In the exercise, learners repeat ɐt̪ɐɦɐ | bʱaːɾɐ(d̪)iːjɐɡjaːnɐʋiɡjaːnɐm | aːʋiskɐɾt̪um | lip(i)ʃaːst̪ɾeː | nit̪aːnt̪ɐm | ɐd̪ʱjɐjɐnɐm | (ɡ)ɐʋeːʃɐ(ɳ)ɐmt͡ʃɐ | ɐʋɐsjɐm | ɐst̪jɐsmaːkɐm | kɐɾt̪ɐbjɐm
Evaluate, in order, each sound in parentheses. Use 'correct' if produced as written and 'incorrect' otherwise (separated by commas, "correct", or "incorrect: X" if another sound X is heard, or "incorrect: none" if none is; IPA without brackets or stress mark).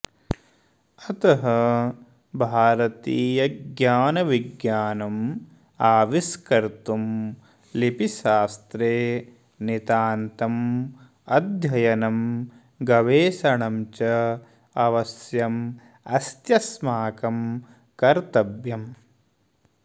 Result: incorrect: t̪, correct, correct, correct